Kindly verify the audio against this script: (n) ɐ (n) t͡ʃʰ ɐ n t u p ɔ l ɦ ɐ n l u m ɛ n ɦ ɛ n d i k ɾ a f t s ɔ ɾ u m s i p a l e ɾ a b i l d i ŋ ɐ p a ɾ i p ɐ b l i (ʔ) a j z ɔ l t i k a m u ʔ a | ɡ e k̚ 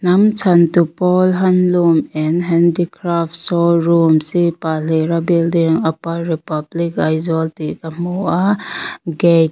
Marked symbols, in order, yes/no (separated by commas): yes, no, no